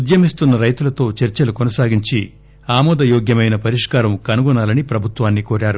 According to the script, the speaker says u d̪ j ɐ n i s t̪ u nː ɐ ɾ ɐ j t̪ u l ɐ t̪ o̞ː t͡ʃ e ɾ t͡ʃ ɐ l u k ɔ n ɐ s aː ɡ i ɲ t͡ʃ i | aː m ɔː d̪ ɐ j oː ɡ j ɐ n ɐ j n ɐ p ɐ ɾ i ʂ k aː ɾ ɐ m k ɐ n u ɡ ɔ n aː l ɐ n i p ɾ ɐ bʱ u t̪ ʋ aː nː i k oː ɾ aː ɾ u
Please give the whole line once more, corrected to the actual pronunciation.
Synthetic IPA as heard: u d̪ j ɐ m i s t̪ u nː ɐ ɾ ɐ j t̪ u l ɐ t̪ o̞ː t͡ʃ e ɾ t͡ʃ ɐ l u k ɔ n ɐ s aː ɡ i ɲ t͡ʃ i | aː m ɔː d̪ ɐ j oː ɡ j ɐ m ɐ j n ɐ p ɐ ɾ i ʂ k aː ɾ ɐ m k ɐ n u ɡ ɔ n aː l ɐ n i p ɾ ɐ bʱ u t̪ ʋ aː nː i k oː ɾ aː ɾ u